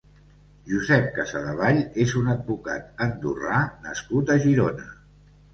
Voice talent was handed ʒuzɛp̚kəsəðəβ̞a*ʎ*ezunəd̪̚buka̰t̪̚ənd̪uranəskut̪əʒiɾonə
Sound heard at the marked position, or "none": ʎ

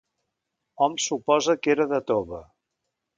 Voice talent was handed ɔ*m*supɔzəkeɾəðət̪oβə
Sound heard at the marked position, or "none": m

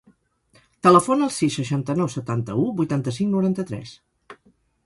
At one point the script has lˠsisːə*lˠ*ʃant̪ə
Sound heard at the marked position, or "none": none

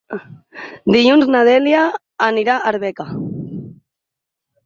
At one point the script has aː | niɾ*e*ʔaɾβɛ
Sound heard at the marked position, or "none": a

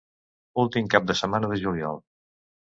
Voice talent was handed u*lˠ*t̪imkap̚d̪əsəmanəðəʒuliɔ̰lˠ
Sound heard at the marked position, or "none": lˠ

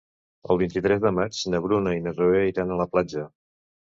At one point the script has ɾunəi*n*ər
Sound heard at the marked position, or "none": n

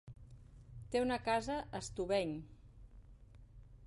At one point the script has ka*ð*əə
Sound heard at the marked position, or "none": z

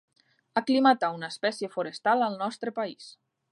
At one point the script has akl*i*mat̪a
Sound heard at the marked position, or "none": i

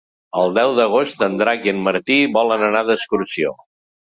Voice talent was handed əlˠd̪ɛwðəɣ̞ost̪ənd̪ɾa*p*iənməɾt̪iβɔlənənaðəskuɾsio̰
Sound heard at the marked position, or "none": k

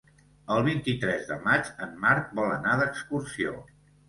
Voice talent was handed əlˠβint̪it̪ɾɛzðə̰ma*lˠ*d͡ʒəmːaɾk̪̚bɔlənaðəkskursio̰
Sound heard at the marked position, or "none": none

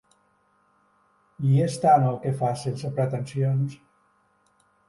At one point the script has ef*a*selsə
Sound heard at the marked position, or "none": a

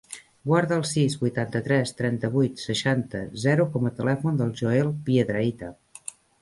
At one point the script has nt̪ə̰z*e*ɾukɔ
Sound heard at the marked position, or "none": ɛ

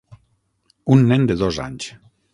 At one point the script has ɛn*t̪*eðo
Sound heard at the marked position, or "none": d̪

